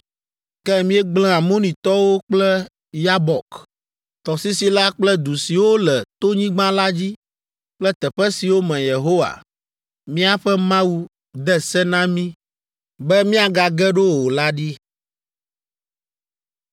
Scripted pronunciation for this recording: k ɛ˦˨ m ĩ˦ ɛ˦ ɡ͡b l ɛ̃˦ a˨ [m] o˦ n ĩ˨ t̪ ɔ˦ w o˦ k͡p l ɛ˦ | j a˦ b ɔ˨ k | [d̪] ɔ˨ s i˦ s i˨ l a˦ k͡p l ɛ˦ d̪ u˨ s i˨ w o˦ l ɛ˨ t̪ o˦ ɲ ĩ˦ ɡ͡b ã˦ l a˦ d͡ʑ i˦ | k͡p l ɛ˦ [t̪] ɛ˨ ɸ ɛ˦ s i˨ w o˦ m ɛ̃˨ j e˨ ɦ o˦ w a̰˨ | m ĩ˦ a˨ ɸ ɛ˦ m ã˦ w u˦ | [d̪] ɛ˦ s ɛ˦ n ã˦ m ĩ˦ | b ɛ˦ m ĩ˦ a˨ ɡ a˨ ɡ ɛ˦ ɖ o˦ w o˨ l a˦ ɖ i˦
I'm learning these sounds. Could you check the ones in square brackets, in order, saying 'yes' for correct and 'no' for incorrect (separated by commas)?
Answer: yes, no, yes, yes